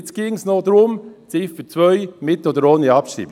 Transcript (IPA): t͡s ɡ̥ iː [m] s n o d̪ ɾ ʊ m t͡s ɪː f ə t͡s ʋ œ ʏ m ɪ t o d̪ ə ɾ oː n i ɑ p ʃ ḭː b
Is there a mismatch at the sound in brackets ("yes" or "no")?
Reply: yes